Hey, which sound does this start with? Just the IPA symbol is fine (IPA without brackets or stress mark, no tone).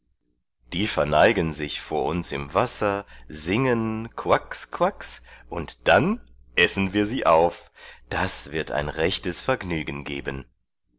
d̥